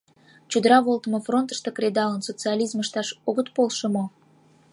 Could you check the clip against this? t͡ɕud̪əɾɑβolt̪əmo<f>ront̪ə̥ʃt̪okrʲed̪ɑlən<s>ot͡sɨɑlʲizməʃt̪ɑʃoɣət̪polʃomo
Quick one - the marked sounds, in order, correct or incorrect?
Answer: correct, correct

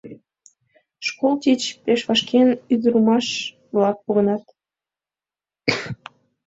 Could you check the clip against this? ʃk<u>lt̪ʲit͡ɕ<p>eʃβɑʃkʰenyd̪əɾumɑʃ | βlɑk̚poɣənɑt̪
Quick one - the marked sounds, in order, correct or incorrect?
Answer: incorrect, correct

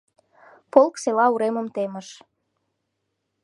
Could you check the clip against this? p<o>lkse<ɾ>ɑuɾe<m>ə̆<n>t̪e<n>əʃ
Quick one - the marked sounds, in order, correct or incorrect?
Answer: correct, incorrect, correct, incorrect, incorrect

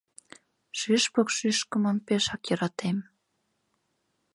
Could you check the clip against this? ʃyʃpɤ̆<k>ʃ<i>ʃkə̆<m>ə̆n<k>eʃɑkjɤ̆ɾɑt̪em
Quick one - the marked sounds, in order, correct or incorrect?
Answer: correct, incorrect, correct, incorrect

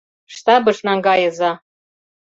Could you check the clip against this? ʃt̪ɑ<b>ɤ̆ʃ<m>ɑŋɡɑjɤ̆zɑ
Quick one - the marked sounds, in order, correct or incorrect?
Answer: correct, incorrect

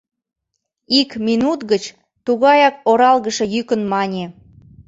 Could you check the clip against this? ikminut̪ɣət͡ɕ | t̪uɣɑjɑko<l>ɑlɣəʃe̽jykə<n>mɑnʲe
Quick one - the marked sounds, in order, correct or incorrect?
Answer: incorrect, correct

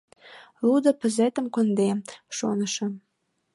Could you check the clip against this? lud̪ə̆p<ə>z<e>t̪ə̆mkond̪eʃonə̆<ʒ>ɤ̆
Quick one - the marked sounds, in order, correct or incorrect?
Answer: correct, correct, incorrect

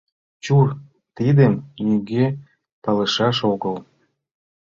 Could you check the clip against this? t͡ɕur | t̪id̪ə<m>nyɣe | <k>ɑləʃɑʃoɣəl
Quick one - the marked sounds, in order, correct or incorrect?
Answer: correct, incorrect

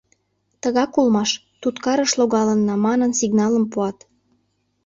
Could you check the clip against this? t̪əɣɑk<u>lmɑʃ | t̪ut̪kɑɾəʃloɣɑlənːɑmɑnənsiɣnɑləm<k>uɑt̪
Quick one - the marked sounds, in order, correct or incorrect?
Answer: correct, incorrect

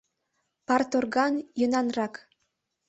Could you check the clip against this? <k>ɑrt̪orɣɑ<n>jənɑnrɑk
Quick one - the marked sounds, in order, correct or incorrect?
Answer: incorrect, correct

